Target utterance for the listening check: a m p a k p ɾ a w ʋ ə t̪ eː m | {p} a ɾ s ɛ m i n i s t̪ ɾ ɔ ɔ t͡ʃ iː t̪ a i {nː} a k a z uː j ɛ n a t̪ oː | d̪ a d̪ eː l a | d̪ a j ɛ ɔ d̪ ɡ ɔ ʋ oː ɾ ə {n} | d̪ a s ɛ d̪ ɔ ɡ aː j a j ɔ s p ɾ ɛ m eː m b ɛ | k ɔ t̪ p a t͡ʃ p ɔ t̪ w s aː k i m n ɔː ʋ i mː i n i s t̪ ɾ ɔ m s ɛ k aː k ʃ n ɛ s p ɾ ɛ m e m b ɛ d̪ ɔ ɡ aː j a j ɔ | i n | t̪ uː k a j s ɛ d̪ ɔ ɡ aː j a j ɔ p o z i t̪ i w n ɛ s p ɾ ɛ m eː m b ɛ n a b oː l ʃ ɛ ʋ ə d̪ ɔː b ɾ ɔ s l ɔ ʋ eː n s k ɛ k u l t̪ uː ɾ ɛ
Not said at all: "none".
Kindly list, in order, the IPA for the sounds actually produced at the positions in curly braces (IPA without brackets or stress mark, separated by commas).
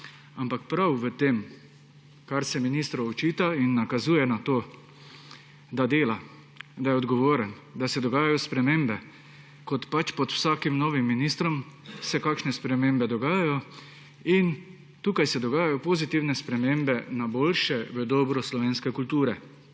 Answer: k, nː, n